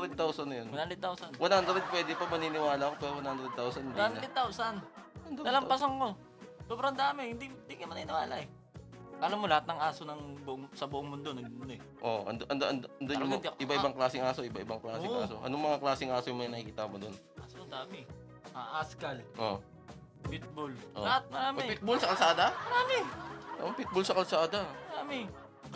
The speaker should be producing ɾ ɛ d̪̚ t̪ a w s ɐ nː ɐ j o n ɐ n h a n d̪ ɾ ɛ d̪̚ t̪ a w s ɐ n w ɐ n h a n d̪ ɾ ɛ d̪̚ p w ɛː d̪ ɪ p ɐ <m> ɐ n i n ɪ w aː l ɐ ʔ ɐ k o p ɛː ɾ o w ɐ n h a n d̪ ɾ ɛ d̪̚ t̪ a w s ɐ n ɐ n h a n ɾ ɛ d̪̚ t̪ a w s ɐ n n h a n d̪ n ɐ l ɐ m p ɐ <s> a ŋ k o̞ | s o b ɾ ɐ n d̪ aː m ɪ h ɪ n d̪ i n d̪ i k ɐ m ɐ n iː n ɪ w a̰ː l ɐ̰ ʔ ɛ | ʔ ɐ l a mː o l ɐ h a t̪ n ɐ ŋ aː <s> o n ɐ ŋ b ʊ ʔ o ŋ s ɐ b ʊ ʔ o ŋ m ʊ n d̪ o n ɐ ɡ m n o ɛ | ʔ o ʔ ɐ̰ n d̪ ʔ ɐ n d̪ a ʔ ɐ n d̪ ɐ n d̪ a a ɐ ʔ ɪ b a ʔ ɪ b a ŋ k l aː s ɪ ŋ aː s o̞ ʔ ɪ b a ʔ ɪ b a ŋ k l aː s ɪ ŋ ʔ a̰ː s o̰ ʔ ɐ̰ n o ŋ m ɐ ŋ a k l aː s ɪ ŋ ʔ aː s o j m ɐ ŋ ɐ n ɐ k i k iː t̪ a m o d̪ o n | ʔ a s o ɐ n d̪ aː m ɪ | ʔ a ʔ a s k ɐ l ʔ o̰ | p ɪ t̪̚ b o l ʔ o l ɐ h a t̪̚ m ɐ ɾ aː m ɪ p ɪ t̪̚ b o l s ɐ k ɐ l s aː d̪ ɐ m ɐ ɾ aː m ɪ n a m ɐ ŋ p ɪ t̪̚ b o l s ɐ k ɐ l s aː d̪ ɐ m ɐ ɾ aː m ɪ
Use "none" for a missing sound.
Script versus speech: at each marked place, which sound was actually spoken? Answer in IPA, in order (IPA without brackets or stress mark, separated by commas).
m, s, s